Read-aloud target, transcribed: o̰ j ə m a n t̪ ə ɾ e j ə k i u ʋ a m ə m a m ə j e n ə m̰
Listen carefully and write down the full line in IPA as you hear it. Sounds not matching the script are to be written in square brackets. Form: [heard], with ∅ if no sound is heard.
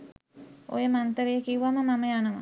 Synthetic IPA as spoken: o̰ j ə m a n t̪ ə ɾ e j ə k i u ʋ a m ə m a m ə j [a] n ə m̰